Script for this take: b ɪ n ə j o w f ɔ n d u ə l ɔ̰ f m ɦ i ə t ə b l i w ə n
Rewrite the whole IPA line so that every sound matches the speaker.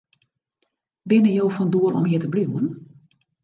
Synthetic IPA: b ɪ n ə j o w f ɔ n d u ə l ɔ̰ m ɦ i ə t ə b l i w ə n